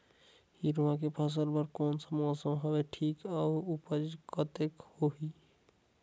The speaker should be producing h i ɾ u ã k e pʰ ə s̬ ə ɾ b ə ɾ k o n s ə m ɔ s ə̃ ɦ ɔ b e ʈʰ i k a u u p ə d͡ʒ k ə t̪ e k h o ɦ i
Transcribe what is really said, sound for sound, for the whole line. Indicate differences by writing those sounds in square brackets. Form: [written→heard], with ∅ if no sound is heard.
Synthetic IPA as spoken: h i ɾ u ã k e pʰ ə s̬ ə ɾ b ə ɾ k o n s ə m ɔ s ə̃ ɦ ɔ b e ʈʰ i k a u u p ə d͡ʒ k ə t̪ e k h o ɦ i